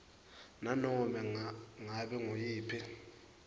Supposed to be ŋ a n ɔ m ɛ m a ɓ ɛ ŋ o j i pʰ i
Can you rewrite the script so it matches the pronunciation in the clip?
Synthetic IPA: n a n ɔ m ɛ ŋ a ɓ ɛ ŋ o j iː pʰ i